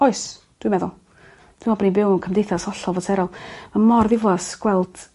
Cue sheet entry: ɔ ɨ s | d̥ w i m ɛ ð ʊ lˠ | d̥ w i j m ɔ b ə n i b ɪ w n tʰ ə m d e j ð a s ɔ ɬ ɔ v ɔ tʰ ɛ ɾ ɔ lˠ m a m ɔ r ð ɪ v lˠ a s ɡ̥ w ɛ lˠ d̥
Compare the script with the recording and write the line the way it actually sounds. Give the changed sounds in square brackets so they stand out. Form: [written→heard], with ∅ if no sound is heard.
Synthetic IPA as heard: ɔ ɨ s | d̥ w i m ɛ ð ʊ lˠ | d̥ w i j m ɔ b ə n i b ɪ w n [tʰ→kʰ] ə m d e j [ð→θ] a s ɔ ɬ ɔ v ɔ tʰ ɛ ɾ ɔ lˠ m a m ɔ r ð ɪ v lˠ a s ɡ̥ w ɛ lˠ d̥